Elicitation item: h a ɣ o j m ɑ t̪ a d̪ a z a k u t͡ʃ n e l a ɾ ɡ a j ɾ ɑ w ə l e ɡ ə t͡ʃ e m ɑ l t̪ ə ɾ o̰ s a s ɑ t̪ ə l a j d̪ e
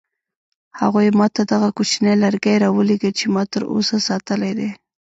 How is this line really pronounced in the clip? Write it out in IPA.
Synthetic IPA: h a ɣ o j m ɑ t̪ a d̪ a ɣ a k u t͡ʃ n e l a ɾ ɡ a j ɾ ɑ w ə l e ɡ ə t͡ʃ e m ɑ t̪ ə ɾ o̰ s a s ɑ t̪ ə l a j d̪ e

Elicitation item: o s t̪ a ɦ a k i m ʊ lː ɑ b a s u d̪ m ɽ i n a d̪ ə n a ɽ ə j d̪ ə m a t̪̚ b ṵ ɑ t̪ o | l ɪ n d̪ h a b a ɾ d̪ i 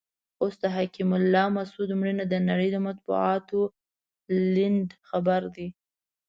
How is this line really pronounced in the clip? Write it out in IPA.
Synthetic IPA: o s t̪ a ɦ a k i m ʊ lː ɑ m a s u d̪ m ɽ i n a d̪ ə n a ɽ ə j d̪ ə m a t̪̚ b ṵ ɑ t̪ o | l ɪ n d̪ x a b a ɾ d̪ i

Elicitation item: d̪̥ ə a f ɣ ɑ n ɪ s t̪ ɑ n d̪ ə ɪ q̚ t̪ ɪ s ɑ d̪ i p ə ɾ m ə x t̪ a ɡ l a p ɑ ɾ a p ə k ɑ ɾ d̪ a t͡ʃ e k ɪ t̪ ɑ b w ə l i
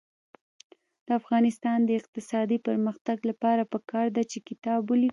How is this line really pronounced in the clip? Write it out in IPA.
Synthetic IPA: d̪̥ ə a f ɣ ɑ n ɪ s t̪ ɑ n d̪ ə ɪ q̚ t̪ ɪ s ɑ d̪ i p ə ɾ m ə x t̪ a ɡ l a p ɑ ɾ a p ə k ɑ ɾ d̪ a t͡ʃ e k ɪ t̪ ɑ b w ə l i

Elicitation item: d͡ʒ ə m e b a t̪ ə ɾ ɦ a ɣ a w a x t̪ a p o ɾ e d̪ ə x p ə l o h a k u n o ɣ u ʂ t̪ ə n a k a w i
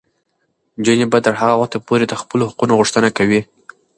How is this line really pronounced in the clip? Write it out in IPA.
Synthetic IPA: d͡ʒ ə n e b a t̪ ə ɾ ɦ a ɣ a w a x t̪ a p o ɾ e d̪ ə x p ə l o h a q u n o ɣ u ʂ t̪ ə n a k a w i

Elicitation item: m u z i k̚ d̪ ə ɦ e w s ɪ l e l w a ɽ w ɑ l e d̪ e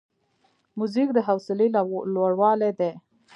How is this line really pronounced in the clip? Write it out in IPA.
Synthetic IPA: m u z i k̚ d̪ ə ɦ a w s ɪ l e l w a ɽ w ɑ l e d̪ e

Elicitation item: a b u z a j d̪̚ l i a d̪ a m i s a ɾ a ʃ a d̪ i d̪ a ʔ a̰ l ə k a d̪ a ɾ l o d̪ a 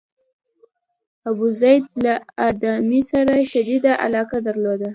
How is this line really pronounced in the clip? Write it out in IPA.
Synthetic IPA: a b u z a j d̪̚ l a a d̪ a m i s a ɾ a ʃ a d̪ i d̪ a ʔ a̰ l ɑ k a d̪ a ɾ l o d̪ a

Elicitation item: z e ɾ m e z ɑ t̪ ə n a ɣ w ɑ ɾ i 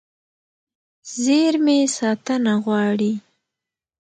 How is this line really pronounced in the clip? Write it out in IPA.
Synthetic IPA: z e ɾ m e s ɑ t̪ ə n a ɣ w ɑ ɽ i

